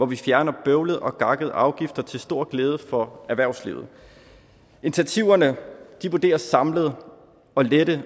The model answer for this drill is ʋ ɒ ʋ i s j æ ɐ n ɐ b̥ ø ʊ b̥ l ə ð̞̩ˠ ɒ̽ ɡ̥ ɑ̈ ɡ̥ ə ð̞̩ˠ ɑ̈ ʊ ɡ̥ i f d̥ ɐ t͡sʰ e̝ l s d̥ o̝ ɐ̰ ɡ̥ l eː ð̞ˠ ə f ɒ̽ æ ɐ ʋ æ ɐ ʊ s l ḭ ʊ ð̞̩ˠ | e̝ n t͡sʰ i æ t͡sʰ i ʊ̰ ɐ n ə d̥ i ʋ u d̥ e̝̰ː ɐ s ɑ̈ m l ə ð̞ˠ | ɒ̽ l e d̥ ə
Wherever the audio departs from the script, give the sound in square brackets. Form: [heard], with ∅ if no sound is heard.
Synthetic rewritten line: ʋ ɒ ʋ i [f] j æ ɐ n ɐ b̥ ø ʊ [∅] l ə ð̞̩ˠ ɒ̽ ɡ̥ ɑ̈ ɡ̥ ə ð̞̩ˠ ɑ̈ ʊ ɡ̥ i f d̥ ɐ t͡sʰ e̝ l s d̥ o̝ ɐ̰ ɡ̥ l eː ð̞ˠ ə f ɒ̽ æ ɐ ʋ æ ɐ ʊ s l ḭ ʊ ð̞̩ˠ | e̝ n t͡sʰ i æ t͡sʰ i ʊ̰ ɐ n ə d̥ i ʋ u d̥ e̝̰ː ɐ s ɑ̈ m l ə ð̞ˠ | ɒ̽ l e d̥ ə